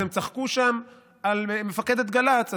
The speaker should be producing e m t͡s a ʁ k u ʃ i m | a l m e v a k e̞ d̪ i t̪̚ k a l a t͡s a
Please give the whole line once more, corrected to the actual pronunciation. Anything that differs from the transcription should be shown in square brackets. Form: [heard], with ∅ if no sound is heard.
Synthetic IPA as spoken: e m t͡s a [χ] k u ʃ [a] m | a l m e [f] a k e̞ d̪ [e] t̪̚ [ɡ] a l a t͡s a